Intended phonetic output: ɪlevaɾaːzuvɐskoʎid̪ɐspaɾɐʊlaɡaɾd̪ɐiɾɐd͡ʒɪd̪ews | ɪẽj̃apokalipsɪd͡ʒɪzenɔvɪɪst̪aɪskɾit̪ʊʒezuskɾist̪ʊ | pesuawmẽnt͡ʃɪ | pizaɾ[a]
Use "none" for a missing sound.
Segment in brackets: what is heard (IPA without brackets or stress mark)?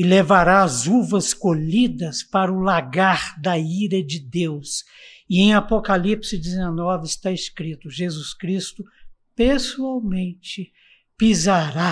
a